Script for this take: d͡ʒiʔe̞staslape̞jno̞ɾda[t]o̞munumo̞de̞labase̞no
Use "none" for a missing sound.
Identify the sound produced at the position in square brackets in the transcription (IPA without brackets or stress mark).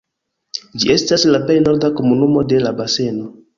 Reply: k